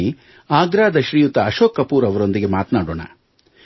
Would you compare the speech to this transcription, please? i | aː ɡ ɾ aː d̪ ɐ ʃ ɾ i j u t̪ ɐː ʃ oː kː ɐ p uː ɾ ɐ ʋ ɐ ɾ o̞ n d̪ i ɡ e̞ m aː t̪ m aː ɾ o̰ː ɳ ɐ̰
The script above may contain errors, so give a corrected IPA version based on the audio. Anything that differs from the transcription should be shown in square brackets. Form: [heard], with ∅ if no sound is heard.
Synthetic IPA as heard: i | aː ɡ ɾ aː d̪ ɐ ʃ ɾ i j u t̪ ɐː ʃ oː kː ɐ p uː ɾ ɐ ʋ ɐ ɾ o̞ n d̪ i ɡ e̞ m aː t̪ [n] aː [ɽ] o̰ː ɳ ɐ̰